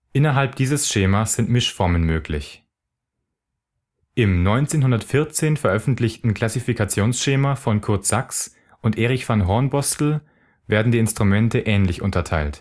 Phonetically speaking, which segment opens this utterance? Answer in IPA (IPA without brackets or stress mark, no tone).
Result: ʔ